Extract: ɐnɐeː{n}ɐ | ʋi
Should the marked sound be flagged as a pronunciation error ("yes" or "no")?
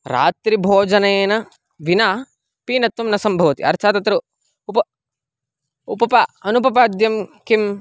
no